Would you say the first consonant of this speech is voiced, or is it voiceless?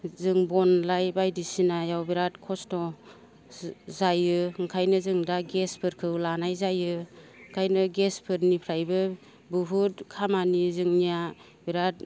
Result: voiced